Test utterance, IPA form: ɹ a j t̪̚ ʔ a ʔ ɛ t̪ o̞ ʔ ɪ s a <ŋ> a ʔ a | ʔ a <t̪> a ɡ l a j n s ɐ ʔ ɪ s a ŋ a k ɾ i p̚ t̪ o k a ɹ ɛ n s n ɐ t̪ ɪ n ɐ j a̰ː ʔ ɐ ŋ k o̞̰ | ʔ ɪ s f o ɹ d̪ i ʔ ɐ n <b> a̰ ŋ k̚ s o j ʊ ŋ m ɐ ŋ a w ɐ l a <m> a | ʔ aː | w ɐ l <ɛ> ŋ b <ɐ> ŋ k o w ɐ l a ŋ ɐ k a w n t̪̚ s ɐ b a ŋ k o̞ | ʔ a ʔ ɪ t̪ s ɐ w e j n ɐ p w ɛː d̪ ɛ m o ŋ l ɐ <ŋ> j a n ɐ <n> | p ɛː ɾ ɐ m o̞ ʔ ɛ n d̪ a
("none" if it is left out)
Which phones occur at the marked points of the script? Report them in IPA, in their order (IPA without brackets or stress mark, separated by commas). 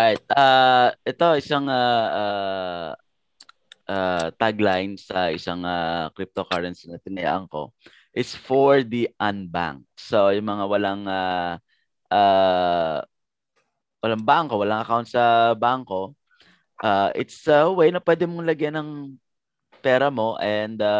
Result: ŋ, t̪, b, ŋ, a, a, ɡ, ŋ